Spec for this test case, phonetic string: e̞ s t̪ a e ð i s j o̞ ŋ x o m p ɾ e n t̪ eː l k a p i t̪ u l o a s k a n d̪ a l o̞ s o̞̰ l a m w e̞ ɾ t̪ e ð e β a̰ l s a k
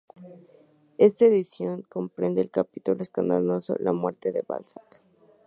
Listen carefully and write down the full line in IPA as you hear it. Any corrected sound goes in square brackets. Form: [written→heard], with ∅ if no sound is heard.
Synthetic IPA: e̞ s t̪ a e ð i s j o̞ ŋ [x→k] o m p ɾ e n [t̪→d̪] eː l k a p i t̪ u l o [a→e] s k a n d̪ a l o̞ s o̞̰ l a m w e̞ ɾ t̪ e ð e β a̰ l s a k

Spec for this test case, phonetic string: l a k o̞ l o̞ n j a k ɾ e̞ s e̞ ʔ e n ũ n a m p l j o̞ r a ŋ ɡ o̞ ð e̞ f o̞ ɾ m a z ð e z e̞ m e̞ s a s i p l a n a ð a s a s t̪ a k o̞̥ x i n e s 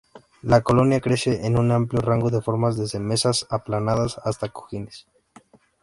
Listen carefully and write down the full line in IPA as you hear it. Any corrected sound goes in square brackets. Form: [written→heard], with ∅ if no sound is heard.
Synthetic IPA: l a k o̞ l o̞ n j a k ɾ e̞ s e̞ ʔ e n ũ n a m p l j o̞ r a ŋ ɡ o̞ ð e̞ f o̞ ɾ m a z ð e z e̞ m e̞ s a s [i→a] p l a n a ð a s a s t̪ a k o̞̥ x i n e s

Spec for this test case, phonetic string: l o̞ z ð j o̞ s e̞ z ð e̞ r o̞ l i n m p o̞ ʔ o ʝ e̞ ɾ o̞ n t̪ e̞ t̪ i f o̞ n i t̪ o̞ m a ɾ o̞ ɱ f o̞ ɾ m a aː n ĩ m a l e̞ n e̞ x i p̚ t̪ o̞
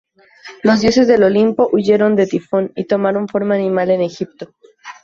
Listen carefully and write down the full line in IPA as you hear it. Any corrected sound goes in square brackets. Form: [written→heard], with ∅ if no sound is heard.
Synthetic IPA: l o̞ z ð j o̞ s e̞ z ð e̞ [r→l] o̞ l i [n→∅] m p o̞ ʔ [o→u] ʝ e̞ ɾ o̞ n [t̪→d̪] e̞ t̪ i f o̞ n i t̪ o̞ m a ɾ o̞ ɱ f o̞ ɾ m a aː n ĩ m a l e̞ n e̞ x i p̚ t̪ o̞

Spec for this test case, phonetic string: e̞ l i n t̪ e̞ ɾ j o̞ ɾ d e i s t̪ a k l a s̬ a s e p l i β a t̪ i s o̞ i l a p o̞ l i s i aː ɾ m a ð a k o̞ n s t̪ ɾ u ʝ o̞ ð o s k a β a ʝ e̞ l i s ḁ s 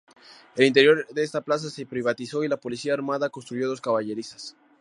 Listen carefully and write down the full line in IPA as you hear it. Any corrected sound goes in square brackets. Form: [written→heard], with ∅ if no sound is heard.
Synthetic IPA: e̞ l i n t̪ e̞ ɾ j o̞ ɾ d e [i→e] s t̪ a [k→p] l a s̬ a s e p [l→ɾ] i β a t̪ i s o̞ i l a p o̞ l i s i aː ɾ m a ð a k o̞ n s t̪ ɾ u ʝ o̞ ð o s k a β a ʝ e̞ [l→ɾ] i s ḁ s

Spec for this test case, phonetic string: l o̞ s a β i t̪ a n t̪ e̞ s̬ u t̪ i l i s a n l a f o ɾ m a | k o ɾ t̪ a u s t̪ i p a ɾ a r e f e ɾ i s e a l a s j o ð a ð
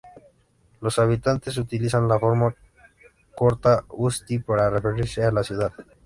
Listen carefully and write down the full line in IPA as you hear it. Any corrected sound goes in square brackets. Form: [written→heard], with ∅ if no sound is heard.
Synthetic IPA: l o̞ s a β i t̪ a n t̪ e̞ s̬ u t̪ i l i s a n l a f o ɾ m a | k o ɾ t̪ a u s t̪ i p a ɾ a r e f e ɾ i s e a l a s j [o→u] ð a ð

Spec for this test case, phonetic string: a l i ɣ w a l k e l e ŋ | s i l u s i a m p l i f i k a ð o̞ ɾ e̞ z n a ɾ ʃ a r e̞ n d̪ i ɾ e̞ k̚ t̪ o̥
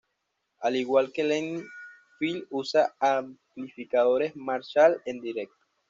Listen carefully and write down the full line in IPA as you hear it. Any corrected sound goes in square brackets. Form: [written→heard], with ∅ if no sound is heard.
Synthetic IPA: a l i ɣ w a l k e l e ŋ | [s→f] i l u s [i→a] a m p l i f i k a ð o̞ ɾ e̞ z [n→m] a ɾ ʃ a [r→l] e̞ n d̪ i ɾ e̞ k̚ t̪ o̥

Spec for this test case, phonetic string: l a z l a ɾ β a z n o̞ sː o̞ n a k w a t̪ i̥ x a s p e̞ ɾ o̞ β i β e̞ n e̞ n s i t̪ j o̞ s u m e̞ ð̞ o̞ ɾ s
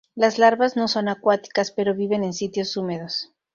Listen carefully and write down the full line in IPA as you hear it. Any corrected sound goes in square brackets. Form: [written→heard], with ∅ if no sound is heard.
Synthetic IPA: l a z l a ɾ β a z n o̞ [sː→s] o̞ n a k w a t̪ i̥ [x→k] a s p e̞ ɾ o̞ β i β e̞ n e̞ n s i t̪ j o̞ s u m e̞ ð̞ o̞ [ɾ→∅] s

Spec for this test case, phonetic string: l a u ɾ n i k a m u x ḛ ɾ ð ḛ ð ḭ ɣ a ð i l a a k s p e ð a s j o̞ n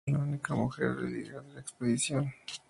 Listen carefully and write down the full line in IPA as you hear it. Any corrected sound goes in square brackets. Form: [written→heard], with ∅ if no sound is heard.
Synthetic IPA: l a u [ɾ→∅] n i k a m u x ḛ ɾ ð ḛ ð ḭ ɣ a ð [i→e] l a [a→e] k s p e ð [a→i] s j o̞ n

